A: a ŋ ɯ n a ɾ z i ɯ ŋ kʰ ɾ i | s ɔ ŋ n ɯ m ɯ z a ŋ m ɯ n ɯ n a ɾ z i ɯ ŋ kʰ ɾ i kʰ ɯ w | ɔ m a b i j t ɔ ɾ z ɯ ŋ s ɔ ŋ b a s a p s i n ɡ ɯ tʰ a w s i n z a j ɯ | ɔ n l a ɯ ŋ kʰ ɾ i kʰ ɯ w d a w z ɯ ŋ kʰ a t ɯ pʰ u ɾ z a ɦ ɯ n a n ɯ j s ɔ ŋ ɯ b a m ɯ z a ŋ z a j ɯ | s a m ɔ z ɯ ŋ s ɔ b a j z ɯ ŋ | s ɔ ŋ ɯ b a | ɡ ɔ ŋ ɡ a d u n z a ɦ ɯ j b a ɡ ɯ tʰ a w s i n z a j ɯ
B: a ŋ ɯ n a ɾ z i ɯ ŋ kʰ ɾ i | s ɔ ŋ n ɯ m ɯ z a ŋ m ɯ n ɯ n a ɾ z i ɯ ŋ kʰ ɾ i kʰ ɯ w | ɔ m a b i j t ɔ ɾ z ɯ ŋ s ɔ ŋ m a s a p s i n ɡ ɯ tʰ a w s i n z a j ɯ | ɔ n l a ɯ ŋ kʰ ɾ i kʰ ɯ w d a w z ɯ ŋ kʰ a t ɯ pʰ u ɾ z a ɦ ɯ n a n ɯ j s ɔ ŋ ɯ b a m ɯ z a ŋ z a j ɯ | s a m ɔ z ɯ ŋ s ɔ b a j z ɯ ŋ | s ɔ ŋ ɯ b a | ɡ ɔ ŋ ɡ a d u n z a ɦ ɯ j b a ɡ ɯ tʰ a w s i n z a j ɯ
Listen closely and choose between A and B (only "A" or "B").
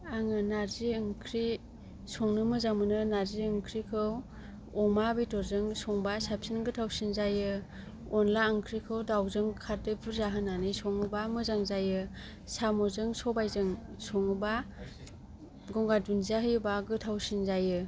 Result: A